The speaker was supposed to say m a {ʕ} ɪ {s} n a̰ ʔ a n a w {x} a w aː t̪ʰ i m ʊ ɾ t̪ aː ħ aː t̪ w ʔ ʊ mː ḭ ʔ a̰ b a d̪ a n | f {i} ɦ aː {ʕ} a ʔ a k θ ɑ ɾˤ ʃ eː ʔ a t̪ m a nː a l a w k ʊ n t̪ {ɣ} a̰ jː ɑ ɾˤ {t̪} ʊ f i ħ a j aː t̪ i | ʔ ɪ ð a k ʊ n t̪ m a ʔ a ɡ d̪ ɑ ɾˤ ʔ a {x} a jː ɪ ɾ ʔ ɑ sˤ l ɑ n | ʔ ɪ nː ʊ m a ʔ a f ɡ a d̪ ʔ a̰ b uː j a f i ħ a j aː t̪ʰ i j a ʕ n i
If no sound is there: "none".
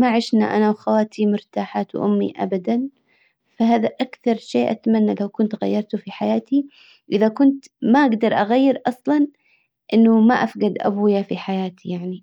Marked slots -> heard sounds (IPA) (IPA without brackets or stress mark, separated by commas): ʕ, ʃ, x, a, ð, ɣ, t̪, ɣ